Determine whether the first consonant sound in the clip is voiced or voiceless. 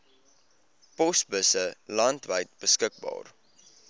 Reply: voiceless